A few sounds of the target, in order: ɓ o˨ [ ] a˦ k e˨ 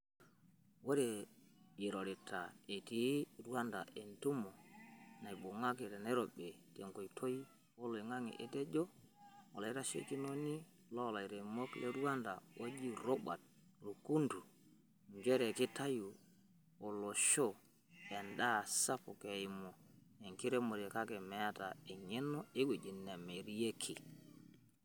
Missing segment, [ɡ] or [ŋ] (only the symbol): ŋ